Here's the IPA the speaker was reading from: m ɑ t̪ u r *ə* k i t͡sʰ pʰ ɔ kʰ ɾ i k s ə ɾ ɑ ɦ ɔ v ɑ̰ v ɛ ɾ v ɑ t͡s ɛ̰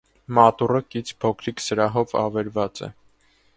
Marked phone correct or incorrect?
correct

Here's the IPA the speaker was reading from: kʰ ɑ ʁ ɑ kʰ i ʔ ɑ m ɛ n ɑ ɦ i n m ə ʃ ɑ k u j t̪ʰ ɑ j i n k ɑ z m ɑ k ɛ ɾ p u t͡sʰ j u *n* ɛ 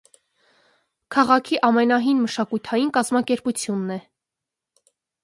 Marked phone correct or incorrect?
incorrect: nː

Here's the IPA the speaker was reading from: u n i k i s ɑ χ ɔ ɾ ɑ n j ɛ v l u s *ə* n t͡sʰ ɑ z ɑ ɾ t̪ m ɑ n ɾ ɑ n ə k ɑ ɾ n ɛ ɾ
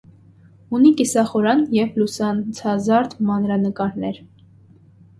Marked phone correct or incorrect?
incorrect: ɑ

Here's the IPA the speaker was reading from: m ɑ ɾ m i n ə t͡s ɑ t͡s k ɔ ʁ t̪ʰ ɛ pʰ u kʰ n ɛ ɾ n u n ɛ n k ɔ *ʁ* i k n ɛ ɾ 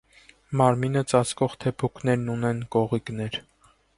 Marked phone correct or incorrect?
correct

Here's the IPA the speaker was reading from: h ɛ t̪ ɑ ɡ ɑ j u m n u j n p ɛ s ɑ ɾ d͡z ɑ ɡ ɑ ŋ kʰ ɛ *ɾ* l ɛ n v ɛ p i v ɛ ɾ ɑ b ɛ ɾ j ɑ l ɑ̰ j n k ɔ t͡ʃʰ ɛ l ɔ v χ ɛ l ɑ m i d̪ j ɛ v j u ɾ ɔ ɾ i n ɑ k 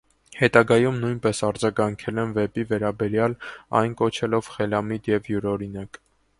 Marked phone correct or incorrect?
incorrect: none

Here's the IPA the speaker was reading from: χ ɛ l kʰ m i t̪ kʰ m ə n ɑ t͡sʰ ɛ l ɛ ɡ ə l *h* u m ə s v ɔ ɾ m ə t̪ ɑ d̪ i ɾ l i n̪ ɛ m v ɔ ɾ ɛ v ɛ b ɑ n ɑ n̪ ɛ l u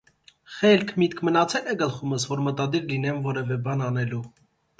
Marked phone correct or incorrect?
incorrect: χ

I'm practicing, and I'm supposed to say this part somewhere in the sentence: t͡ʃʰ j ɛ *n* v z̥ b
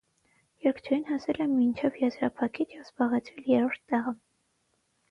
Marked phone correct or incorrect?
incorrect: none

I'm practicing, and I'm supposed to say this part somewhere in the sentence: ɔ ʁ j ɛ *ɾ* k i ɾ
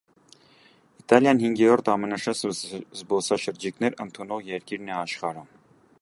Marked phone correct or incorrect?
correct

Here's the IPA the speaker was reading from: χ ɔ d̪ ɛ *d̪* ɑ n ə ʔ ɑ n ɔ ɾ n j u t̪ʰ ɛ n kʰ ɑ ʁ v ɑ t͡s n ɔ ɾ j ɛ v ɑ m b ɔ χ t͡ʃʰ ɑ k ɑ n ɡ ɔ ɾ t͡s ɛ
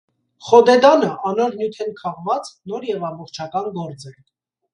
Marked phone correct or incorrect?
correct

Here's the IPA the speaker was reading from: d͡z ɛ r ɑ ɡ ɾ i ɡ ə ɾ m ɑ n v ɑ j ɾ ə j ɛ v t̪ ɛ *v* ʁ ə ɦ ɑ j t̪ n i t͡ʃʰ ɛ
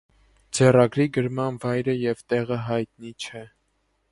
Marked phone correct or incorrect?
incorrect: none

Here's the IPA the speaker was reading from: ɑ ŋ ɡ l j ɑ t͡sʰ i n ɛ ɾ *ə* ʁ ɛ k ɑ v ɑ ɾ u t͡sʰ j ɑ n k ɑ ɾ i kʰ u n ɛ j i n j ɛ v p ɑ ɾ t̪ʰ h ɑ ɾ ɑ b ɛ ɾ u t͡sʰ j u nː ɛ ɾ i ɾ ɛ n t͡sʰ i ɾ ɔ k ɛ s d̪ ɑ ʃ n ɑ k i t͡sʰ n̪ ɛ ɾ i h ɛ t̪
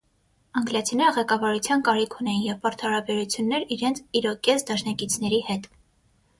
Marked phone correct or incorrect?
correct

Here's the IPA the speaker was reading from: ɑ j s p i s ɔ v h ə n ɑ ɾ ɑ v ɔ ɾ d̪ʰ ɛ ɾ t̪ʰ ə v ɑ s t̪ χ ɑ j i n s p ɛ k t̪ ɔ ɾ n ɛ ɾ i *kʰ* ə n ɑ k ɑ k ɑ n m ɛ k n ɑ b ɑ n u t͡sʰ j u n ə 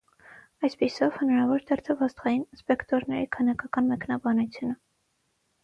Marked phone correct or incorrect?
correct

